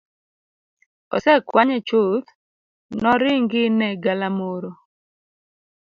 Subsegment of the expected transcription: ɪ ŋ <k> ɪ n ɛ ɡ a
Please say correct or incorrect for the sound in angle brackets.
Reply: incorrect